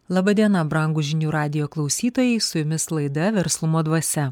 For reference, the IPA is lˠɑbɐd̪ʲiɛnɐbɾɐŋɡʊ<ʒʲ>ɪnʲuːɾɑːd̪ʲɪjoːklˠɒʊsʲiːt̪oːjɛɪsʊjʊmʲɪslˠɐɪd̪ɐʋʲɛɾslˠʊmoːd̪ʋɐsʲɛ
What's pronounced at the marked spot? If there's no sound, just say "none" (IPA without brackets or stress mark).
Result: ʒʲ